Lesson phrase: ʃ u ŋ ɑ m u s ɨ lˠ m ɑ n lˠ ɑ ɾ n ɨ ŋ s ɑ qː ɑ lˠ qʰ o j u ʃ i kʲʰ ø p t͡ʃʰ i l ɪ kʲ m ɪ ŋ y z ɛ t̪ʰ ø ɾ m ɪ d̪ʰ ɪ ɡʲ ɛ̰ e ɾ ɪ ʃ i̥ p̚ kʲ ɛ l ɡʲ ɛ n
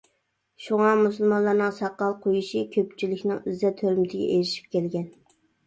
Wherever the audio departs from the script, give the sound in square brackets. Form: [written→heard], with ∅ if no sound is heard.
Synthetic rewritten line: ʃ u ŋ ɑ m u s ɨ lˠ m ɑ n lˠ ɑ ɾ n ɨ ŋ s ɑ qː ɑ lˠ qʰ o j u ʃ i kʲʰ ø p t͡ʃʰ i l ɪ kʲ [m→n] ɪ ŋ y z ɛ t̪ʰ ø ɾ m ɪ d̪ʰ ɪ ɡʲ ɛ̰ e ɾ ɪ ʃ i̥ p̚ kʲ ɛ l ɡʲ ɛ n